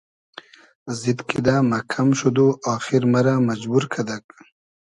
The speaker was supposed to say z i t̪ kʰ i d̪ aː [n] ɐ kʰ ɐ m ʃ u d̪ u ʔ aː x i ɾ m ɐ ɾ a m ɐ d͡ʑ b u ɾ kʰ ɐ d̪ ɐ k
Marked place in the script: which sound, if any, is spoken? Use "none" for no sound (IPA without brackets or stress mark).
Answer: m